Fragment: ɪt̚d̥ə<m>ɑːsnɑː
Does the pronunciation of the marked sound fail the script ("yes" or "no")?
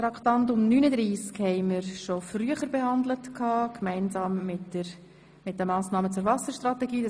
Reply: no